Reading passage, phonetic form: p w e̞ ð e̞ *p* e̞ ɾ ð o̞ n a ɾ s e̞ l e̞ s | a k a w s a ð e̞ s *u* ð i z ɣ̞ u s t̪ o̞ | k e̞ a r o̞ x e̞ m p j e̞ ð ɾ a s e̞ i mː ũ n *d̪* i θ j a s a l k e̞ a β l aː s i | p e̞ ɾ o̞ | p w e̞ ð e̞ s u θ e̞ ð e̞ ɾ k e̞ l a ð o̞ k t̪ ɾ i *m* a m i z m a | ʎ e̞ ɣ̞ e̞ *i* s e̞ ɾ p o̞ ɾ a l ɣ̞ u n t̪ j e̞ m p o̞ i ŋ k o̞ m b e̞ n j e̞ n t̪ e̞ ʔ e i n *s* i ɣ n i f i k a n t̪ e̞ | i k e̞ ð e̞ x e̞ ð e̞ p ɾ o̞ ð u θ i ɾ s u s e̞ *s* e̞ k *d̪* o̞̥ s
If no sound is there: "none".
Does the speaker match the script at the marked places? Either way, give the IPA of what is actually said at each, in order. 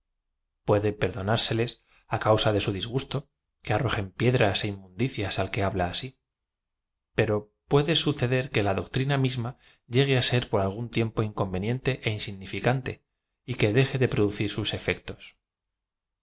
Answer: p, u, d̪, n, a, s, f, t̪

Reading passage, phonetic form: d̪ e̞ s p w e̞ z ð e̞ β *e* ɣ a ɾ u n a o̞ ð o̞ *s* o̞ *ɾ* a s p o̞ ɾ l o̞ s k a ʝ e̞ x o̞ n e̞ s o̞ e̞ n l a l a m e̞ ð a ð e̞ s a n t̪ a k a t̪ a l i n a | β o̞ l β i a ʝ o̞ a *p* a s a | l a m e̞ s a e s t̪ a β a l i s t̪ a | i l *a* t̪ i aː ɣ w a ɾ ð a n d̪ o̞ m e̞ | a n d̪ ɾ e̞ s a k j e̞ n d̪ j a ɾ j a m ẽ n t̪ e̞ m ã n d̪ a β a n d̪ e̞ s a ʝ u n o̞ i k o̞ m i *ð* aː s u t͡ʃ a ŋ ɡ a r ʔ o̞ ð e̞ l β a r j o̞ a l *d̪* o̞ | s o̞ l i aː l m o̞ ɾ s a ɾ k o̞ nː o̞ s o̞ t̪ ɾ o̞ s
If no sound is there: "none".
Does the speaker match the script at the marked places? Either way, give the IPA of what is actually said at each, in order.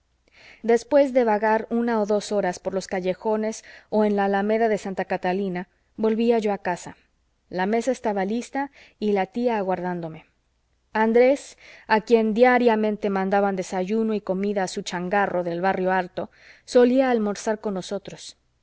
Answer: a, s, ɾ, k, a, ð, t̪

